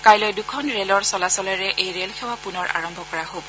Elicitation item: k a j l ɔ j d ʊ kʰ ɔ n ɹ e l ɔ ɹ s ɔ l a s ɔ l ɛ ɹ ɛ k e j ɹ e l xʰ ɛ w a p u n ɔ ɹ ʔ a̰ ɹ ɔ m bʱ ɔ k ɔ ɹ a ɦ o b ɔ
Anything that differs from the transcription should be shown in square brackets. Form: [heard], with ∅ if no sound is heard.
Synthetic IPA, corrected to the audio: k a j l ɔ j d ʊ kʰ ɔ n ɹ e l ɔ ɹ s ɔ l a s ɔ l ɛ ɹ ɛ [ʔ] e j ɹ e l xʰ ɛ w a p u n ɔ ɹ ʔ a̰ ɹ ɔ m bʱ ɔ k ɔ ɹ a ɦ o b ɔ